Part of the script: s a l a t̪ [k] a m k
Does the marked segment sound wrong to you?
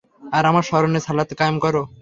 no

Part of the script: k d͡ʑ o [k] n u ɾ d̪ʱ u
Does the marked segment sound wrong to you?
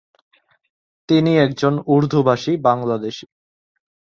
yes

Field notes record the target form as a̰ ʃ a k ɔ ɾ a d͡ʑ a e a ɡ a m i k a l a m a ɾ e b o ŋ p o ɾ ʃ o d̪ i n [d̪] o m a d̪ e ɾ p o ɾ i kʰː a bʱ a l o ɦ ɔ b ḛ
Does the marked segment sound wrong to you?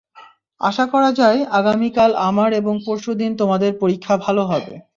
yes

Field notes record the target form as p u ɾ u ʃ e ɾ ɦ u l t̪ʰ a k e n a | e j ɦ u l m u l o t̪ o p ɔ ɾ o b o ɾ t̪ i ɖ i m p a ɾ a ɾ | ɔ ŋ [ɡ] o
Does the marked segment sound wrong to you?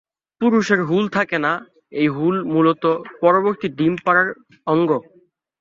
no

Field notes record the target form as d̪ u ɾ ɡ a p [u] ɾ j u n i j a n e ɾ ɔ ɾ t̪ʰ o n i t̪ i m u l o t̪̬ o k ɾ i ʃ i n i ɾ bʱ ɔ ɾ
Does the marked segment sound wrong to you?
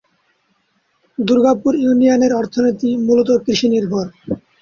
no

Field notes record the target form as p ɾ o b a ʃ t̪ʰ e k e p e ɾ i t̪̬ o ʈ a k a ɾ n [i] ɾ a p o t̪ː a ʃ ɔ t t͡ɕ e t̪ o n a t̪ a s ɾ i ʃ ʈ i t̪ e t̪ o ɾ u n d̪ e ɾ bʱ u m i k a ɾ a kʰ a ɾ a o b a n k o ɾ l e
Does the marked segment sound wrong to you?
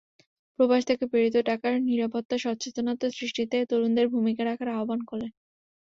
no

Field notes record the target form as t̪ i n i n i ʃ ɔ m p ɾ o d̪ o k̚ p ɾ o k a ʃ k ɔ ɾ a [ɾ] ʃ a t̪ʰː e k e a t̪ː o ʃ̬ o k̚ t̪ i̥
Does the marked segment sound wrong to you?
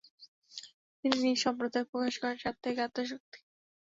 no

